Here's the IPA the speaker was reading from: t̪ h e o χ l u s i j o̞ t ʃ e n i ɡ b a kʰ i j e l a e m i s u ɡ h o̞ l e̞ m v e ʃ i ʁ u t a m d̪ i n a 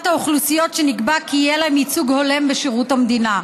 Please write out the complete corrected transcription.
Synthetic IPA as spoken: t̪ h a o χ l u s i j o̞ t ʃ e n i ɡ b a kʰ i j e l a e m i t͡s u ɡ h o̞ l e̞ m b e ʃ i ʁ u t a m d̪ i n a

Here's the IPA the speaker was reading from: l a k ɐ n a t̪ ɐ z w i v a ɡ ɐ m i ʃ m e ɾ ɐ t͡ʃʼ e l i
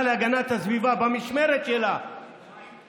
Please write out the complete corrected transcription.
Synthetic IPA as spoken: l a ɡ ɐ n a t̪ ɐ z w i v a b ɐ m i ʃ m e ɾ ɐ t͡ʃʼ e l a

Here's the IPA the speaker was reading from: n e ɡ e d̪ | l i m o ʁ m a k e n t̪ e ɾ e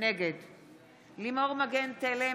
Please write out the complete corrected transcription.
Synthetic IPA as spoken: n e ɡ e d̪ | l i m o ʁ m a ɡ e n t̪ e l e

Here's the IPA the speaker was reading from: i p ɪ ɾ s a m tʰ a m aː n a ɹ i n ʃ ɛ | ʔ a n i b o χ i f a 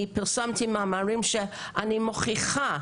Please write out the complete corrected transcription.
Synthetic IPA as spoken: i p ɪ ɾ s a m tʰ i m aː m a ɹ i m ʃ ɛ | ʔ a n i m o χ i χ a

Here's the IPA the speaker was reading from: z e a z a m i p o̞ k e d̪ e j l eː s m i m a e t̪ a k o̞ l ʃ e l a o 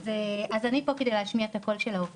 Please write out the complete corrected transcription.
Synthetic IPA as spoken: z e a z a n i p o̞ k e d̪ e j l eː ʃ m i a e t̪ a k o̞ l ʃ e l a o

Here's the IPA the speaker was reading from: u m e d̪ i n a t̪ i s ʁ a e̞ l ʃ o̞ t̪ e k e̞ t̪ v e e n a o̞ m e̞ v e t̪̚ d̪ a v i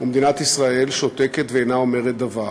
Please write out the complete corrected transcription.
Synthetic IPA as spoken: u m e d̪ i n a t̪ i s ʁ a e̞ l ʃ o̞ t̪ e k e̞ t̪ v e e n a o̞ m e̞ ʁ e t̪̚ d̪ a v a

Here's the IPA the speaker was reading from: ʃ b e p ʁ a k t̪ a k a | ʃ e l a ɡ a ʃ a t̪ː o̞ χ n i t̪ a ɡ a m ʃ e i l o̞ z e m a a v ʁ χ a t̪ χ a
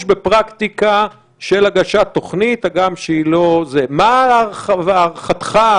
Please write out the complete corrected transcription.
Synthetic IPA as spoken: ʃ b e p ʁ a k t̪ i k a | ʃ e l a ɡ a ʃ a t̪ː o̞ χ n i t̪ a ɡ a m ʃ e i l o̞ z e m a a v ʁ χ a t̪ χ a

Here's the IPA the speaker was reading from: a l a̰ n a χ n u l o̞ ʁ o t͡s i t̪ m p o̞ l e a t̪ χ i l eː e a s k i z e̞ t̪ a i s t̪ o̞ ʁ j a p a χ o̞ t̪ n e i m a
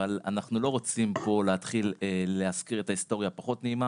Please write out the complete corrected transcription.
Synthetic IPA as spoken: a l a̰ n a χ n u l o̞ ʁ o t͡s i m p o̞ l e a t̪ χ i l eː e a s k i ʁ e̞ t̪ a i s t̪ o̞ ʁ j a p a χ o̞ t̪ n e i m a

